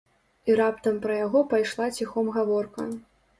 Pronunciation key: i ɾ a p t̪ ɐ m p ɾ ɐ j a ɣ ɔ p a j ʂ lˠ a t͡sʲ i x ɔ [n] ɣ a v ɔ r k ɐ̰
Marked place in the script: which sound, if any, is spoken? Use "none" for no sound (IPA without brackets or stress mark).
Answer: m